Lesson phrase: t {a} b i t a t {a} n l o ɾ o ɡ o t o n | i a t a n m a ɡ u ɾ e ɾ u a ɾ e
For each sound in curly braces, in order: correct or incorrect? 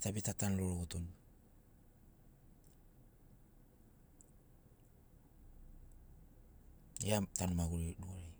correct, correct

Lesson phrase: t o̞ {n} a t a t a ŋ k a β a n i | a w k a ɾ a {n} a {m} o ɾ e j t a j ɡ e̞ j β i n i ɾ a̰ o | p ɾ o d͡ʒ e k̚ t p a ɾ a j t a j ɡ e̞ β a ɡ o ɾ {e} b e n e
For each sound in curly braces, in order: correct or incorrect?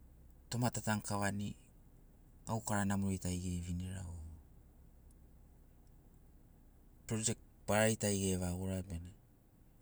incorrect: m, correct, correct, incorrect: a

